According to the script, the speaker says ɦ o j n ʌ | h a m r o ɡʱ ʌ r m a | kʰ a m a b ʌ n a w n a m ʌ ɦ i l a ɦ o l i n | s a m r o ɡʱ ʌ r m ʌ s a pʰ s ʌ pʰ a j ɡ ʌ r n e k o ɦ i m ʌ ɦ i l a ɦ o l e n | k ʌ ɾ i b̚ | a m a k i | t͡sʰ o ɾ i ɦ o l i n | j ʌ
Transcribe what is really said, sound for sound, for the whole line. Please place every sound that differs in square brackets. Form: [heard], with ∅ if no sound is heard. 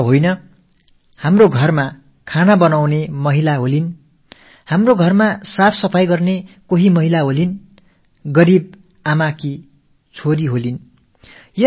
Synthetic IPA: ɦ o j n ʌ | h a m r o ɡʱ ʌ r m a | kʰ a [n] a b ʌ n a w n [e] m ʌ ɦ i l a ɦ o l i n | [h] a m r o ɡʱ ʌ r m [a] s a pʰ s ʌ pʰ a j ɡ ʌ r n e k o ɦ i m ʌ ɦ i l a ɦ o l [i] n | [ɡ] ʌ ɾ i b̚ | a m a k i | t͡sʰ o ɾ i ɦ o l i n | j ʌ